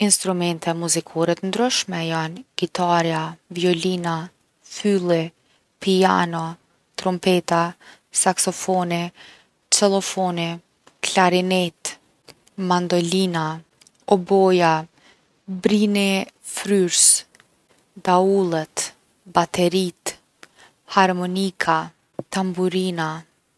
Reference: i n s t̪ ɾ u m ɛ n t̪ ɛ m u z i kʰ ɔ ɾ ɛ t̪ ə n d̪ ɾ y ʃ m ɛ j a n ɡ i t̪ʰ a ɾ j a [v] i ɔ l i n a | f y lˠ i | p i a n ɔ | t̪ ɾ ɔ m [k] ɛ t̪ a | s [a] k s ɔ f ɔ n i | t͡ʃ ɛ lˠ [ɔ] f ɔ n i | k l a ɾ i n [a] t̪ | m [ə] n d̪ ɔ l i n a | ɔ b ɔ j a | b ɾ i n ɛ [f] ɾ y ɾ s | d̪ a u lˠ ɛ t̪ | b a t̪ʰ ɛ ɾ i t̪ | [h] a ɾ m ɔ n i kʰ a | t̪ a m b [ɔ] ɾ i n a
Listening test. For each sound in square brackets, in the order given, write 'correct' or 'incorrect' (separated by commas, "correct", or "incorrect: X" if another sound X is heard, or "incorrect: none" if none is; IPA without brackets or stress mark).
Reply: correct, incorrect: p, correct, correct, incorrect: ɛ, incorrect: a, correct, correct, incorrect: u